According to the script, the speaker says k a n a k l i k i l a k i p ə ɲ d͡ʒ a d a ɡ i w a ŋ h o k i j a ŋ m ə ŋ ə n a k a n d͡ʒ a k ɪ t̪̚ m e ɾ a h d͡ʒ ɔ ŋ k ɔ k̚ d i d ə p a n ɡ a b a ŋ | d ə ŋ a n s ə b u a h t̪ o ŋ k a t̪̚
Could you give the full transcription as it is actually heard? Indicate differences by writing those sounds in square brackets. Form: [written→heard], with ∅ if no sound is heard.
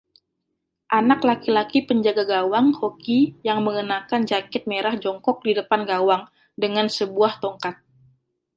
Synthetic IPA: [k→ʔ] a n a k l [i→a] k i l a k i p ə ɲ d͡ʒ a [d→ɡ] a ɡ [i→a] w a ŋ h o k i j a ŋ m ə ŋ ə n a k a n d͡ʒ a k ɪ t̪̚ m e ɾ a h d͡ʒ ɔ ŋ k ɔ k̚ d i d ə p a n ɡ a [b→w] a ŋ | d ə ŋ a n s ə b u a h t̪ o ŋ k a t̪̚

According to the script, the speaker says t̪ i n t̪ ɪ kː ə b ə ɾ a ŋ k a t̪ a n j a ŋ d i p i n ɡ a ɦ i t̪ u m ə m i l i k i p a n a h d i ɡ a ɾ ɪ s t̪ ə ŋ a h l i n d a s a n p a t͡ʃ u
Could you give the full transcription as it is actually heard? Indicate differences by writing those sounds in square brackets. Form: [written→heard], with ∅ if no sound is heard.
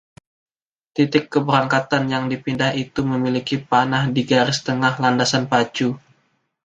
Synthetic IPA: t̪ i [n→∅] t̪ ɪ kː ə b ə ɾ a ŋ k a t̪ a n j a ŋ d i p i n [ɡ→d] a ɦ i t̪ u m ə m i l i k i p a n a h d i ɡ a ɾ ɪ s t̪ ə ŋ a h l [i→a] n d a s a n p a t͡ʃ u

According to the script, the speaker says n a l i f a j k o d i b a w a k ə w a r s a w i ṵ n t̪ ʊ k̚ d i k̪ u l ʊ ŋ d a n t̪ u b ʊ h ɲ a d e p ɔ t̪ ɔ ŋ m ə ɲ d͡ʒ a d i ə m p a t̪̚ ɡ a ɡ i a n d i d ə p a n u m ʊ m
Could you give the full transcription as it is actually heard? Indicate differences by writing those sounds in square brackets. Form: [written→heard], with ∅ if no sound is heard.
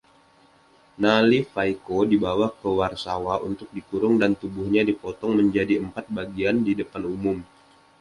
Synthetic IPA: n a l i f a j k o d i b a w a k ə w a r s a w [i→a] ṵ n t̪ ʊ k̚ d i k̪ u [l→ɾ] ʊ ŋ d a n t̪ u b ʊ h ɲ a d [e→i] p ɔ t̪ ɔ ŋ m ə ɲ d͡ʒ a d i ə m p a t̪̚ [ɡ→b] a ɡ i a n d i d ə p a n u m ʊ m

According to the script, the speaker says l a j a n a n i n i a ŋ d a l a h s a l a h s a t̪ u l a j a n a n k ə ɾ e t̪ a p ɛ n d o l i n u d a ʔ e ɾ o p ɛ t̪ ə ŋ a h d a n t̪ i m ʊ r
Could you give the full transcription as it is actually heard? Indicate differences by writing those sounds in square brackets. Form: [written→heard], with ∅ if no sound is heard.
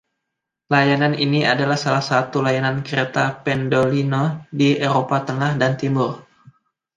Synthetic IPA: l a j a n a n i n i a [ŋ→∅] d a l a h s a l a h s a t̪ u l a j a n a n k ə ɾ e t̪ a p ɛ n d o l i n [u→o] d [a→i] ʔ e ɾ o p [ɛ→a] t̪ ə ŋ a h d a n t̪ i m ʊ r

